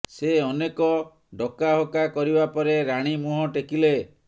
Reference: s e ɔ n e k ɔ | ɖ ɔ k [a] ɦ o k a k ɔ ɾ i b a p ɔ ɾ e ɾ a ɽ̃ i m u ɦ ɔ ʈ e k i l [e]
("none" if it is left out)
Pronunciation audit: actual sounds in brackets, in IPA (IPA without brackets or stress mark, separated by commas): a, e